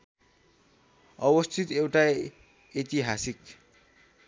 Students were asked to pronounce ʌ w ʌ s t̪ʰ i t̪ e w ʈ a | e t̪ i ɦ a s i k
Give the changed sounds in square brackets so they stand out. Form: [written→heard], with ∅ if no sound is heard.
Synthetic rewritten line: ʌ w ʌ s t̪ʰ i t̪ e w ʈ a | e t̪ i ɦ a s i k

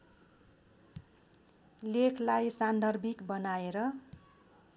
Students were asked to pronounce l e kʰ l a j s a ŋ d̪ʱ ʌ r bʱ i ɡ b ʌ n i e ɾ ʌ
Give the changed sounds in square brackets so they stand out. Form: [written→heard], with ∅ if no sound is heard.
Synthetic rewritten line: l e kʰ l a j s a [ŋ→n] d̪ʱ ʌ r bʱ i [ɡ→k] b ʌ n [i→a] e ɾ ʌ

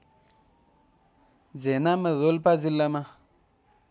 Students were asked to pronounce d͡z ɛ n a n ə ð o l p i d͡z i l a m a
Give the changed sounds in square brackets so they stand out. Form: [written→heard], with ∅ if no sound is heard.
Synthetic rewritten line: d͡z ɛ n a [n→m] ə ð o l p [i→a] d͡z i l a m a

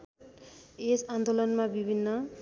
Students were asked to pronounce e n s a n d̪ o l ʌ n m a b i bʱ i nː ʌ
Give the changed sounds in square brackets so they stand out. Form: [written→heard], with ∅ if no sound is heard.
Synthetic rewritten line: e [n→∅] s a n d̪ o l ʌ n m a b i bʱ i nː ʌ

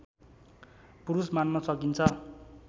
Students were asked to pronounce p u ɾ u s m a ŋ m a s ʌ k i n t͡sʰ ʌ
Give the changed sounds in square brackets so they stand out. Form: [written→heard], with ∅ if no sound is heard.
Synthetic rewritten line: p u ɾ u s m a [ŋ→n] m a s ʌ k i n t͡sʰ ʌ

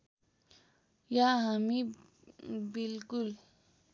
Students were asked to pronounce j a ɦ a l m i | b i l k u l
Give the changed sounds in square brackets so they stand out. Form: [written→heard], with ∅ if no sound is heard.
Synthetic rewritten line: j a ɦ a [l→∅] m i | b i l k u l

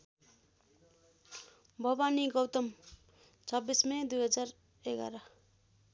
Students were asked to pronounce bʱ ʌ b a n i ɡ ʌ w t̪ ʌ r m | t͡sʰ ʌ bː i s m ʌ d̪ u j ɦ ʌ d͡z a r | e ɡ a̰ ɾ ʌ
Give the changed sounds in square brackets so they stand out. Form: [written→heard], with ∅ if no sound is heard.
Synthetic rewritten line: bʱ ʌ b a n i ɡ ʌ w t̪ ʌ [r→∅] m | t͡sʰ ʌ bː i s m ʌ d̪ u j ɦ ʌ d͡z a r | e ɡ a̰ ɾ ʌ

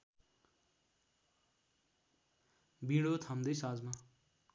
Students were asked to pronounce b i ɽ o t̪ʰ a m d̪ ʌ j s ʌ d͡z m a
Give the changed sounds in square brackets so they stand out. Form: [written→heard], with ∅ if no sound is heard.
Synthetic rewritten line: b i ɽ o t̪ʰ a m d̪ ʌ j s [ʌ→a] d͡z m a

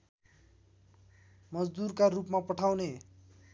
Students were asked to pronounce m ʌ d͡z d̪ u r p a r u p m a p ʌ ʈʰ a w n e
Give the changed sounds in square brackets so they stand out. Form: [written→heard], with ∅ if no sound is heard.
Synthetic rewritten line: m ʌ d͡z d̪ u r [p→k] a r u p m a p ʌ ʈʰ a w n e

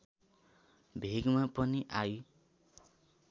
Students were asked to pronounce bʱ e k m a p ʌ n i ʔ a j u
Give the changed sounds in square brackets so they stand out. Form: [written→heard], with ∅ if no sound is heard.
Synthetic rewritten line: bʱ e [k→ɡ] m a p ʌ n i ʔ a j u

